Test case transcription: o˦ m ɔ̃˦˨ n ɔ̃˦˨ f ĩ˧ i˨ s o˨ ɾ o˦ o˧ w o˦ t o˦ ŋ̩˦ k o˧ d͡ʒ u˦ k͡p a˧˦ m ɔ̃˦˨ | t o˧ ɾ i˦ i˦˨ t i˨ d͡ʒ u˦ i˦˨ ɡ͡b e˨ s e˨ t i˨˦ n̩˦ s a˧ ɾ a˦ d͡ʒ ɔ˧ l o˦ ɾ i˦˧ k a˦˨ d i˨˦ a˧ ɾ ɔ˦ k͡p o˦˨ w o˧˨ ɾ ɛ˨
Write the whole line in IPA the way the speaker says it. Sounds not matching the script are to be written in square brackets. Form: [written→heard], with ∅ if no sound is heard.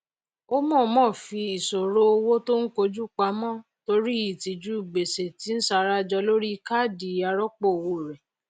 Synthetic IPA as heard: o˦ m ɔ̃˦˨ [n→m] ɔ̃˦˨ f [ĩ˧→i˧] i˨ s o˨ ɾ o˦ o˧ w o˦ t o˦ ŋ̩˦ k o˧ d͡ʒ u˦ k͡p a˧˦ m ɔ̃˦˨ | t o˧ ɾ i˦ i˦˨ t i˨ d͡ʒ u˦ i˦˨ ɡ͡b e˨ s e˨ t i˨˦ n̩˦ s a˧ ɾ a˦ d͡ʒ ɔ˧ l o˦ ɾ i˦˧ k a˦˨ d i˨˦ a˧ ɾ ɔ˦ k͡p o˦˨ w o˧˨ ɾ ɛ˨

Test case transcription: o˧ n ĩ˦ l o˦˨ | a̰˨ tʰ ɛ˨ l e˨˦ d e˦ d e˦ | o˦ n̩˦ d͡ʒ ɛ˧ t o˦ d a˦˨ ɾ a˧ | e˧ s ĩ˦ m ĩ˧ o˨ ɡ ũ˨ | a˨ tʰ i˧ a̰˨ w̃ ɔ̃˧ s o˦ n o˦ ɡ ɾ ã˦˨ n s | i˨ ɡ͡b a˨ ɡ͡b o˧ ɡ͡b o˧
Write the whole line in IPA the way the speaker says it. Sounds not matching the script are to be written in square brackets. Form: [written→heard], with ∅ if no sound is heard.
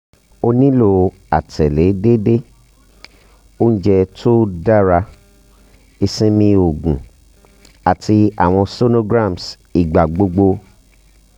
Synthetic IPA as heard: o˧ n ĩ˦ l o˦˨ | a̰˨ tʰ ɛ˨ l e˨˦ d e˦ d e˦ | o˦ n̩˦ d͡ʒ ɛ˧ t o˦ d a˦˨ ɾ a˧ | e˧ s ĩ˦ m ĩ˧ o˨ ɡ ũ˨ | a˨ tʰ i˧ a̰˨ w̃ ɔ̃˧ s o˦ n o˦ ɡ ɾ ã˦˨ [n→m] s | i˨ ɡ͡b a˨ ɡ͡b o˧ ɡ͡b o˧

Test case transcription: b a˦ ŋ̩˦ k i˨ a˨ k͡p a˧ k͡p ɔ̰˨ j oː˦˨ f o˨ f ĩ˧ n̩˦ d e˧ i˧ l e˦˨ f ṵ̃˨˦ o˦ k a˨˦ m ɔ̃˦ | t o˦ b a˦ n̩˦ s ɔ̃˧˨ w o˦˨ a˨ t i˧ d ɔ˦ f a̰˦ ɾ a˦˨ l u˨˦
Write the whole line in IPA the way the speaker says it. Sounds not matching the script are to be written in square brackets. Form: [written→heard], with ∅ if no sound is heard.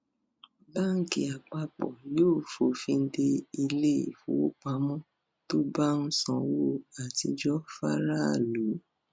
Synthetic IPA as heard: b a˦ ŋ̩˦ k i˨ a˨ k͡p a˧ k͡p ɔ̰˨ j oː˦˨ f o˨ f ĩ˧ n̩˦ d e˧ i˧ l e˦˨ f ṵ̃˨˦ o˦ [k→k͡p] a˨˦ m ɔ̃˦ | t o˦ b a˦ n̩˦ s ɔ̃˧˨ w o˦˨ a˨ t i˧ [d→d͡ʒ] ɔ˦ f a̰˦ ɾ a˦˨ l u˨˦

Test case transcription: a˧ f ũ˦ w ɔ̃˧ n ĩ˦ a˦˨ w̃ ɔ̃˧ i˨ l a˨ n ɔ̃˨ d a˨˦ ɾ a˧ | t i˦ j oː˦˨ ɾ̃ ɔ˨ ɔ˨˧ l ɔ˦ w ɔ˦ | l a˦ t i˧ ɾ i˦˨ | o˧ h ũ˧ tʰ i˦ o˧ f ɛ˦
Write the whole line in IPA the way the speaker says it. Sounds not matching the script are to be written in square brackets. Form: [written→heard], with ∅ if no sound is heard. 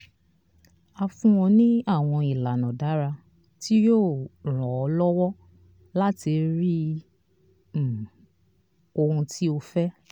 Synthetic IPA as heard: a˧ f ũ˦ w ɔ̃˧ n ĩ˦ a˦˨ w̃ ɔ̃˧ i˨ l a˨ n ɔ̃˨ d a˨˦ ɾ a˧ | t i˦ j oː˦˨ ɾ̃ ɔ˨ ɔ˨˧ l ɔ˦ w ɔ˦ | l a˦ t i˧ ɾ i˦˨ | o˧ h ũ˧ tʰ i˦ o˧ f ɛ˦

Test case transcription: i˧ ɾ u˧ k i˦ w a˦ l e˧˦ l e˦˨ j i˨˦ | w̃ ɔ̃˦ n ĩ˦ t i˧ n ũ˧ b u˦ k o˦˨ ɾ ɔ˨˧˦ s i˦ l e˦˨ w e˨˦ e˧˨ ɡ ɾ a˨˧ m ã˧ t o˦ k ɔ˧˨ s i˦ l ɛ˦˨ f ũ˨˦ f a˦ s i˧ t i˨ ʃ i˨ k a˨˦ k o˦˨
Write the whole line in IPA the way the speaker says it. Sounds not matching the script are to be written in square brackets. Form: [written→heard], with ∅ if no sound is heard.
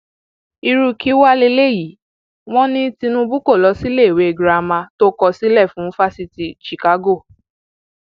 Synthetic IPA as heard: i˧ ɾ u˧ k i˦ w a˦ l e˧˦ l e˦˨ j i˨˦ | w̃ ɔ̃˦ n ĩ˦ t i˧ n ũ˧ b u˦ k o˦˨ [ɾ→l] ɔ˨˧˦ s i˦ l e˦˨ w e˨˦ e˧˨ ɡ ɾ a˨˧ m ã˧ t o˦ k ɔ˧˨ s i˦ l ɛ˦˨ f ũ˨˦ f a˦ s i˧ t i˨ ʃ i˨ k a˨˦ [k→ɡ] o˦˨

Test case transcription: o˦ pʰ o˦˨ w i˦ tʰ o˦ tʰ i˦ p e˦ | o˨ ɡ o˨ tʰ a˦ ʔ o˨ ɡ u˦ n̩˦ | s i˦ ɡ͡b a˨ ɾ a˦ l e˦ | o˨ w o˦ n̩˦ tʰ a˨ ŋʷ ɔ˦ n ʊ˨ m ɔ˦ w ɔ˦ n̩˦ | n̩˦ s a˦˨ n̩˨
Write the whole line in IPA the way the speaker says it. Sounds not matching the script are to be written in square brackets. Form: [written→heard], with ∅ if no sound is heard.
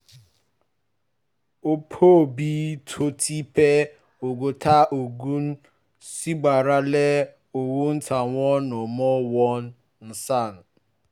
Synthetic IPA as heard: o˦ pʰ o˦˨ [w→b] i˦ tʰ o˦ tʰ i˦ p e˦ | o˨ ɡ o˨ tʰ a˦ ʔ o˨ ɡ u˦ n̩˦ | s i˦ ɡ͡b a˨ ɾ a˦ l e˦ | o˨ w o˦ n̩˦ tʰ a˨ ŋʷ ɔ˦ n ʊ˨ m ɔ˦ w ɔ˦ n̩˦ | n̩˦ s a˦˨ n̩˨

